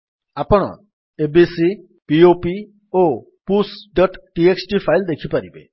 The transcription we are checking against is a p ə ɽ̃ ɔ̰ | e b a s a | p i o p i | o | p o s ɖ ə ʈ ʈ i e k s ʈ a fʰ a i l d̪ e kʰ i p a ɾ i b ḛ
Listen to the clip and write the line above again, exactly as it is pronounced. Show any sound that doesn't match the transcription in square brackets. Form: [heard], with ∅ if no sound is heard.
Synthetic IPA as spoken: a p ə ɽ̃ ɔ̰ | e b [i] s [i] | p i o p i | o | p [u] s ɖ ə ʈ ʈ i e k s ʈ [i] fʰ a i l d̪ e kʰ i p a ɾ i b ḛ

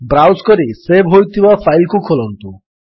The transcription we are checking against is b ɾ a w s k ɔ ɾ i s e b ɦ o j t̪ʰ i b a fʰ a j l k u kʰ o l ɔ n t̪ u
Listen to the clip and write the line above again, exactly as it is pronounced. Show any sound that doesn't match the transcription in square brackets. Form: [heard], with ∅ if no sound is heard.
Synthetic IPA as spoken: b ɾ a w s k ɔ ɾ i s e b ɦ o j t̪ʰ i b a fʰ a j l k u kʰ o l ɔ n t̪ u

